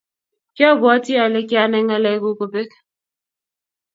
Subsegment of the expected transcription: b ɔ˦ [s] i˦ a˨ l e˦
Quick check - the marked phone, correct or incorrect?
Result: incorrect